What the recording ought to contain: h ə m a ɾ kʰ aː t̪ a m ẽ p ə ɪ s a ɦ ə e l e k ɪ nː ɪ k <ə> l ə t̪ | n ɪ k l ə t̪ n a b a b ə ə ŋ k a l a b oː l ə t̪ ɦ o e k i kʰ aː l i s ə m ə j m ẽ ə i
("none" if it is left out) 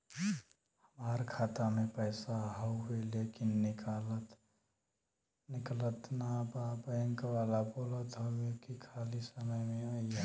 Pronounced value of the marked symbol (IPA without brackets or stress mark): a